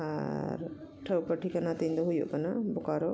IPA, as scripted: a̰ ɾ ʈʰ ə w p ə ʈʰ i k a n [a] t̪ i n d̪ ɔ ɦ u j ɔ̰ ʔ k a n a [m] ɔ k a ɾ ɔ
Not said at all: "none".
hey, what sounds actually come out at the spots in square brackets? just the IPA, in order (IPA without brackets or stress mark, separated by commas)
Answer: a, b